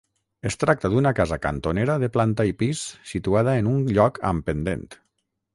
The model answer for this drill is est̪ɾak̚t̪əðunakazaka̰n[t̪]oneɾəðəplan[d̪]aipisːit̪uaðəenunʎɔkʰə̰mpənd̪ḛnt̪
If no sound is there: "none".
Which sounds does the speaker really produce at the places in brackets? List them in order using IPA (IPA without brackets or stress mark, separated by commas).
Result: t̪, t̪